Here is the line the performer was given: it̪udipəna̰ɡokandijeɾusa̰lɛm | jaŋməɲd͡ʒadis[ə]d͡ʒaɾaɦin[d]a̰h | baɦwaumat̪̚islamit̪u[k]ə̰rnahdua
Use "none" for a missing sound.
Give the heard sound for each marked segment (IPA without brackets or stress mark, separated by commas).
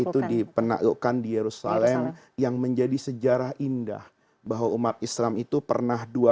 ə, d, p